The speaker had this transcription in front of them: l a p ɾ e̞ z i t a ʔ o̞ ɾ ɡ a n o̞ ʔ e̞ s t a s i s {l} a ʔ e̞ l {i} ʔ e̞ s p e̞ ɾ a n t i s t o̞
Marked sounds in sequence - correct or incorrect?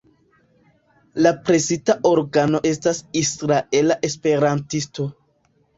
incorrect: ɾ, incorrect: a

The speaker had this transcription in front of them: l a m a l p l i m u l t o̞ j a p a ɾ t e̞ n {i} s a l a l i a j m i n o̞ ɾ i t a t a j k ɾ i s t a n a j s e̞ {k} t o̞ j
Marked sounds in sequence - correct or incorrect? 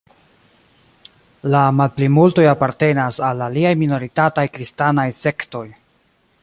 incorrect: a, correct

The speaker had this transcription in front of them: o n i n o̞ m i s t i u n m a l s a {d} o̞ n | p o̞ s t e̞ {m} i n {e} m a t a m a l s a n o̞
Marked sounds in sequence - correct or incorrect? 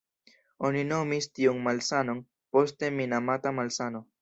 incorrect: n, correct, incorrect: a

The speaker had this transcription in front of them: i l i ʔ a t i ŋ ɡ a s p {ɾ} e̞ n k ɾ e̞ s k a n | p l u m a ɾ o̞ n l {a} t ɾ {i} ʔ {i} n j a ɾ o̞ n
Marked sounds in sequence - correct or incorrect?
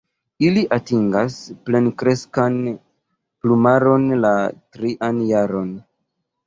incorrect: l, correct, correct, incorrect: a

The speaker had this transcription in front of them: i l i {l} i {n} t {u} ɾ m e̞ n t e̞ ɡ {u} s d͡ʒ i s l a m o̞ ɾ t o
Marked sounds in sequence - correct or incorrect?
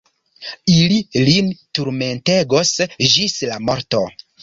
correct, correct, correct, incorrect: o

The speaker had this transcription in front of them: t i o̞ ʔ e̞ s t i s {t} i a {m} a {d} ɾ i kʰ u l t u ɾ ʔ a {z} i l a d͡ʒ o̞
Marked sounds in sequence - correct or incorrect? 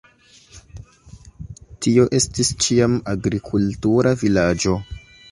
incorrect: t͡ʃ, correct, incorrect: ɡ, incorrect: v

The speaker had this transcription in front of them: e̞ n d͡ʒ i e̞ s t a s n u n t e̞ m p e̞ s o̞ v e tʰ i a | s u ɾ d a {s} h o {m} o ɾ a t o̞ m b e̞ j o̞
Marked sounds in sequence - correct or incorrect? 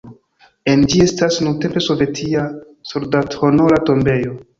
incorrect: t, incorrect: n

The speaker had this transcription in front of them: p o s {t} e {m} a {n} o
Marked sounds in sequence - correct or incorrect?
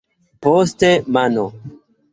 correct, correct, correct

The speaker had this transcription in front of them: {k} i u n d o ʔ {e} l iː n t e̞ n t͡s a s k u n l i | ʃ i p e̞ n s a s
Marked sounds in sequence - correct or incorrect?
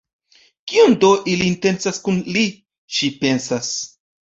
correct, incorrect: i

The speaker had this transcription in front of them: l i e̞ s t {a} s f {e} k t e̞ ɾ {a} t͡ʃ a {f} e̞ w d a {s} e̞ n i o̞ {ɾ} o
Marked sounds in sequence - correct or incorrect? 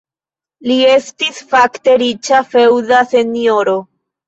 incorrect: i, incorrect: a, incorrect: i, correct, correct, correct

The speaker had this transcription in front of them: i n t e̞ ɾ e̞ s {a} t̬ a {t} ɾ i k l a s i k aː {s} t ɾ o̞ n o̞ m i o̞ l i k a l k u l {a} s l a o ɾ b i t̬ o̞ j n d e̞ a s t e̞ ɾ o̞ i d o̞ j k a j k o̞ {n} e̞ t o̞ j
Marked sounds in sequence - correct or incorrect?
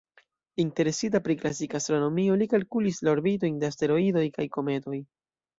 incorrect: i, incorrect: p, correct, incorrect: i, incorrect: m

